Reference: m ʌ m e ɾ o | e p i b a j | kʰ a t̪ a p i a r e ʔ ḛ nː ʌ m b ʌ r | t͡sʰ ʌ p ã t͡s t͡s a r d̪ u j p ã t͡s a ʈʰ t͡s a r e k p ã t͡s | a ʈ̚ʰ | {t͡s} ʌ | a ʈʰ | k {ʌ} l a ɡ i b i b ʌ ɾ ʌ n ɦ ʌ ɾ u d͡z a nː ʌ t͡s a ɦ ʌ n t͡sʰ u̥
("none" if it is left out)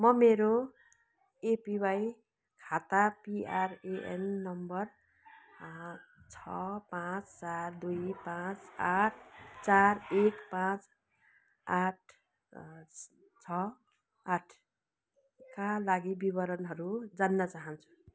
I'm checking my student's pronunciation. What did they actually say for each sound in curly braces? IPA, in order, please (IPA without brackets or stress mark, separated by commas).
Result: t͡sʰ, a